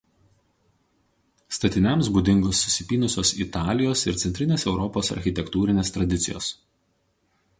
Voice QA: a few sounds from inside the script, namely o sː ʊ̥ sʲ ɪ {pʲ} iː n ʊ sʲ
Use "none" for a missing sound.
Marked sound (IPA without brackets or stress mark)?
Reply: pʲ